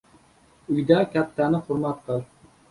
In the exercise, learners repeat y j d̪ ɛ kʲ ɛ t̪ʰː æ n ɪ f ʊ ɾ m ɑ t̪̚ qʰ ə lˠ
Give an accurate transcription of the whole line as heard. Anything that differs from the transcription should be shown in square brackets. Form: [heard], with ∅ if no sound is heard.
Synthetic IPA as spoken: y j d̪ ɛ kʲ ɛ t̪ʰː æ n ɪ [χ] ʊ ɾ m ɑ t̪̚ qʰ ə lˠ